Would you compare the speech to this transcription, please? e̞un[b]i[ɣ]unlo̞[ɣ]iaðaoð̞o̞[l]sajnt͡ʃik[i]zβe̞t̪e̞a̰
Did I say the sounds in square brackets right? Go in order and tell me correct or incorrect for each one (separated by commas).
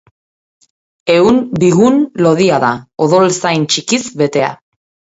correct, correct, incorrect, correct, correct